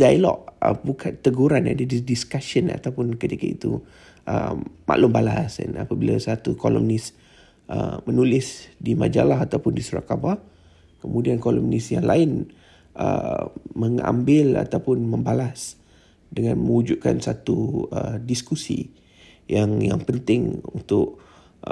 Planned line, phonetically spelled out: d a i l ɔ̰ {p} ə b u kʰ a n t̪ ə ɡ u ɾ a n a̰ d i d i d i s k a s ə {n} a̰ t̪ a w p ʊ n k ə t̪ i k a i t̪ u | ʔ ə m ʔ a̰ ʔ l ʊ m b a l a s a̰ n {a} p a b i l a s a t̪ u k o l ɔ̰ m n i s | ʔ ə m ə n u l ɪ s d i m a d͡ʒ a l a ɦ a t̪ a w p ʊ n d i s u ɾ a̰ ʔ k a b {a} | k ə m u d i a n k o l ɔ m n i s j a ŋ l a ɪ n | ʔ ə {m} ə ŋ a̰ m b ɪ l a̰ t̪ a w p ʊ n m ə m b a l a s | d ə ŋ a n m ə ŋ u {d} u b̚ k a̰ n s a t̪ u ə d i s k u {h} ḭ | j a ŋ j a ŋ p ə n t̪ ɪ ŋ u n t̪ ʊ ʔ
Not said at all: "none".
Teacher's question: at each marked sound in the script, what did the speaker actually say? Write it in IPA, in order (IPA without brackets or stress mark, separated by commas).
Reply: ʔ, n, a, a, m, d͡ʒ, s